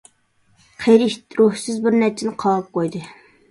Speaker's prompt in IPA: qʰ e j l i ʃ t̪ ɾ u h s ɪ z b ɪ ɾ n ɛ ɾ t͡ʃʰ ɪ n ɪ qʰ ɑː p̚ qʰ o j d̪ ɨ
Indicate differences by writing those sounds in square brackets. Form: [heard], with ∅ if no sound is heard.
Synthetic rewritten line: qʰ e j [ɾ] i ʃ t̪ ɾ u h s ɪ z b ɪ ɾ n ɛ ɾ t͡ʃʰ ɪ n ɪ qʰ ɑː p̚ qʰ o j d̪ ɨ

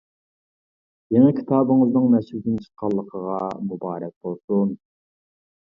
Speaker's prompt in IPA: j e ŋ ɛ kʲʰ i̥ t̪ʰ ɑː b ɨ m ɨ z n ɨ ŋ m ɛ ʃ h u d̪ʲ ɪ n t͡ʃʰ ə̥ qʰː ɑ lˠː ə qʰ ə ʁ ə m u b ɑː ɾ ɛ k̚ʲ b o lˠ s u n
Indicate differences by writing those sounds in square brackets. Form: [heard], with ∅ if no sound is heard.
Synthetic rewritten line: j e ŋ ɛ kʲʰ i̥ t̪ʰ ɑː b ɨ [ŋ] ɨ z n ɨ ŋ m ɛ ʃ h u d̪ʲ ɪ n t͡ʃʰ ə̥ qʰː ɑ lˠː ə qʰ ə ʁ [ɑ] m u b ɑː ɾ ɛ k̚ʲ b o lˠ s u n

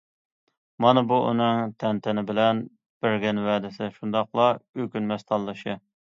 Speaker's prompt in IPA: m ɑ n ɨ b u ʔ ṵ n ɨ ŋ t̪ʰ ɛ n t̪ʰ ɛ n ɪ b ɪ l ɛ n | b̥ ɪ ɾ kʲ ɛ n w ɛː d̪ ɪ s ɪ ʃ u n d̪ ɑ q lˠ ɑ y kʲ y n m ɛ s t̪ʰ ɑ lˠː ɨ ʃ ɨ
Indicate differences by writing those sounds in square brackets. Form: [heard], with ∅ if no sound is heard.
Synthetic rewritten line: m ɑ n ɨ b u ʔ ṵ n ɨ ŋ t̪ʰ ɛ n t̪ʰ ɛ n ɪ b ɪ l ɛ n | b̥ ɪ ɾ [ɡʲ] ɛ n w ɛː d̪ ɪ s ɪ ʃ u n d̪ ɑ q lˠ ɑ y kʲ y n m ɛ s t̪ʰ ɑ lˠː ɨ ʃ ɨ

